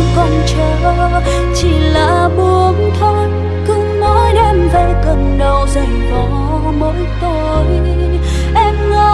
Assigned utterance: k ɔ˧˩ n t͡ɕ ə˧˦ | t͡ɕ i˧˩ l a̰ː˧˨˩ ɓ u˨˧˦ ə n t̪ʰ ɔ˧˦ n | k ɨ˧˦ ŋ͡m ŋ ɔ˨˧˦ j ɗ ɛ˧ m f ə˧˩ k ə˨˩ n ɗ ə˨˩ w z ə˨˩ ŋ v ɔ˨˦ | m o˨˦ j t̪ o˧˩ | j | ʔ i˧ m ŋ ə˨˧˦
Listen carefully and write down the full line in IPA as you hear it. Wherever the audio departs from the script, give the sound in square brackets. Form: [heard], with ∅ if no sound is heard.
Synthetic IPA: k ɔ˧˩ n t͡ɕ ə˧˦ | t͡ɕ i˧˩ l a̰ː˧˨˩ ɓ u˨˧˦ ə n t̪ʰ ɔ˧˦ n | k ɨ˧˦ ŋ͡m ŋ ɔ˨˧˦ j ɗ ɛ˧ m [v] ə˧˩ k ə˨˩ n ɗ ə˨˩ w z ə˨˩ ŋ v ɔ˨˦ | m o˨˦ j t̪ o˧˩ | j | ʔ [ɛ˧] m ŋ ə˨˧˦